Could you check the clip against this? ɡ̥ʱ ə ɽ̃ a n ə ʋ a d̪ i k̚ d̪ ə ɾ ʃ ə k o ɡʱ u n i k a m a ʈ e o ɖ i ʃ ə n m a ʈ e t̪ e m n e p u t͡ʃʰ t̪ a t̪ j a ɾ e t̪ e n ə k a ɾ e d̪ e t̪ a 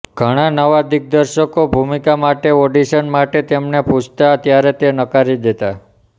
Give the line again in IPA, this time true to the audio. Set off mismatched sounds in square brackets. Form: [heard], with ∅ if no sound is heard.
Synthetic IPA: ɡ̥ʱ ə ɽ̃ a n ə ʋ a d̪ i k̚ d̪ ə ɾ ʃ ə k o [bʱ] u [m] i k a m a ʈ e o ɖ i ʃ ə n m a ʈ e t̪ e m n e p u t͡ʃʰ t̪ a t̪ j a ɾ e t̪ e n ə k a ɾ [i] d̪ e t̪ a